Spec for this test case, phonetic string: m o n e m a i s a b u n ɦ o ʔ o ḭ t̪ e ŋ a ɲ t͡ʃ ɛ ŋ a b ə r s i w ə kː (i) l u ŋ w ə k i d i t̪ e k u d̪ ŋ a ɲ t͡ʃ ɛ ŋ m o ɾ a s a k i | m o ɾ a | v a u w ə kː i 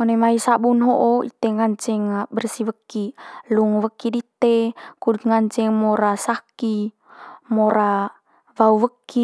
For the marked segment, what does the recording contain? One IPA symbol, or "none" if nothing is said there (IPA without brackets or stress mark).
i